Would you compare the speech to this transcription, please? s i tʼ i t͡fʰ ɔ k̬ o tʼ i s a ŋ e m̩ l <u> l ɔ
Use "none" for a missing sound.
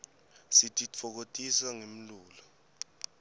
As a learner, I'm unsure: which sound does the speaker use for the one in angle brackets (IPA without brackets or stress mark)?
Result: uː